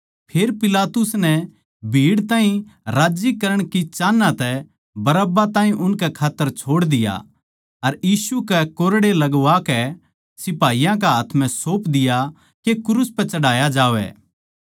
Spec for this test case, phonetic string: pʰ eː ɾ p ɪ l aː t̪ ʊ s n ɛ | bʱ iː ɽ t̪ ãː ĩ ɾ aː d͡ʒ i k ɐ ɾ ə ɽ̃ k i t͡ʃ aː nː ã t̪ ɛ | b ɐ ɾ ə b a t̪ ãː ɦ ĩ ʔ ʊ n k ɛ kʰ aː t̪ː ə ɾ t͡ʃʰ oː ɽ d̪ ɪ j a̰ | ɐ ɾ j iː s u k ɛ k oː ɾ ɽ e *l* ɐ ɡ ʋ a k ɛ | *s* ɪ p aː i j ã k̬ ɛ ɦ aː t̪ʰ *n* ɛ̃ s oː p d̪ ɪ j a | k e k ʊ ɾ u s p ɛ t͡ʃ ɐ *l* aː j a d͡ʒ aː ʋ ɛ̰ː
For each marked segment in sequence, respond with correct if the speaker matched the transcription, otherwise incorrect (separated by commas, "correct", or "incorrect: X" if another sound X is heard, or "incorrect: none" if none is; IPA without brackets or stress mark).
correct, correct, incorrect: m, incorrect: ɽ